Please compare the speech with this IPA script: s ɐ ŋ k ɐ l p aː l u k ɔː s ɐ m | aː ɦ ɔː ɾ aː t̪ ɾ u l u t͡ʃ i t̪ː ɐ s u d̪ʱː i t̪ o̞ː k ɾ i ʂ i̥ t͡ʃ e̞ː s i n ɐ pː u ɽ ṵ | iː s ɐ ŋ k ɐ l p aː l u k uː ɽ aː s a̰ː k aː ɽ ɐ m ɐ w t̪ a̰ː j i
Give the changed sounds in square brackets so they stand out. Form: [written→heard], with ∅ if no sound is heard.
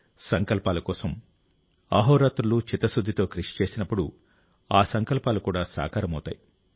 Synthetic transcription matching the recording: s ɐ ŋ k ɐ l p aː l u k ɔː s ɐ m | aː ɦ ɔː ɾ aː t̪ ɾ u l u t͡ʃ i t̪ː ɐ s u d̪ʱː i t̪ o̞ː k ɾ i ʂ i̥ t͡ʃ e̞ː s i n ɐ pː u ɽ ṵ | [iː→aː] s ɐ ŋ k ɐ l p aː l u k uː ɽ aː s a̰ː k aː [ɽ→ɾ] ɐ m ɐ w t̪ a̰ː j i